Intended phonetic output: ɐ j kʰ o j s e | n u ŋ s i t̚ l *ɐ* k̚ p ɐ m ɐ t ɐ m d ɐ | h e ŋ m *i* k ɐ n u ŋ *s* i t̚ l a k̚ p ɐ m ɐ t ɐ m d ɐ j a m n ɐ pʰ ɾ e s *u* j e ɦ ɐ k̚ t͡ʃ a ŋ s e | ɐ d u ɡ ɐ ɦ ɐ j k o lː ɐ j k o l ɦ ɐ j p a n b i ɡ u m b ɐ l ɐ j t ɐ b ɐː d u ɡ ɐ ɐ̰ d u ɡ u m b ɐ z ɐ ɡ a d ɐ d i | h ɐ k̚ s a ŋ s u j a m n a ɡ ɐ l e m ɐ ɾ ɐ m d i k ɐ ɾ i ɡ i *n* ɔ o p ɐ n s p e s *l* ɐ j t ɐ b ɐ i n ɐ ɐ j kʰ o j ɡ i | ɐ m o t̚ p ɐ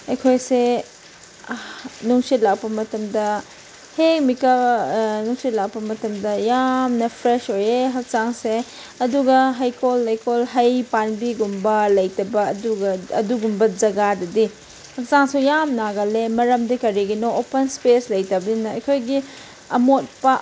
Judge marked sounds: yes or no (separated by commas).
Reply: no, yes, yes, no, yes, yes